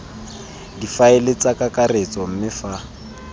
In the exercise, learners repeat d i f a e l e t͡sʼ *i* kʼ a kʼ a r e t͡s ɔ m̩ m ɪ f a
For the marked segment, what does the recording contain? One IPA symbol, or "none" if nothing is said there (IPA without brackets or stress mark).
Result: a